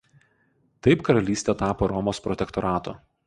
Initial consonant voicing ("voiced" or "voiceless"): voiceless